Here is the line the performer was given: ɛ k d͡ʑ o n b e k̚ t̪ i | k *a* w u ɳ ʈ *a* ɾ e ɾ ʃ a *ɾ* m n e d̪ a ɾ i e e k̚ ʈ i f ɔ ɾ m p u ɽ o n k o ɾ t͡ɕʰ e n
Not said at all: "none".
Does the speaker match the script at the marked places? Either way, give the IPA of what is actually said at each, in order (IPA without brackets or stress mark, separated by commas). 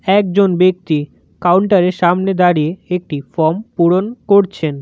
a, a, none